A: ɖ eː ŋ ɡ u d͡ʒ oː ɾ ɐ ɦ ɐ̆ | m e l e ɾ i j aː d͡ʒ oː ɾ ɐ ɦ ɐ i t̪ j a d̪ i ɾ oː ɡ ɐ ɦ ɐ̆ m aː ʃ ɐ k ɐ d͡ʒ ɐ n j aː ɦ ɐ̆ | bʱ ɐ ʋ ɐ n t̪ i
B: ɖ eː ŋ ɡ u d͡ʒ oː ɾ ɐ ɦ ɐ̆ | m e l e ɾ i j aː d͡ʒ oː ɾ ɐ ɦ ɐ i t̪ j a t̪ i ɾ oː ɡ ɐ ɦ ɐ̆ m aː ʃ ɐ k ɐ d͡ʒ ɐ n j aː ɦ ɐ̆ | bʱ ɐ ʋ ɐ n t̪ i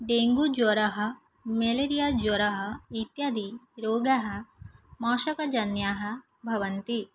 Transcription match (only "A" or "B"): A